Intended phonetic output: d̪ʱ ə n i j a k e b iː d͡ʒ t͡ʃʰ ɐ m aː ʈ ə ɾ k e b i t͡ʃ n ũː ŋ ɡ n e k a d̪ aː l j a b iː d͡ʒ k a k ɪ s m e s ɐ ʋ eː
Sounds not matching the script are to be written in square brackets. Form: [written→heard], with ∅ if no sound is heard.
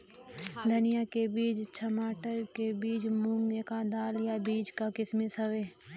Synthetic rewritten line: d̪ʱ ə n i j a k e b iː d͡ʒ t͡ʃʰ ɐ m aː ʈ ə ɾ k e b [i→iː] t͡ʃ [n→m] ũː ŋ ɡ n e k a d̪ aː l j a b iː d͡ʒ k a k ɪ s m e s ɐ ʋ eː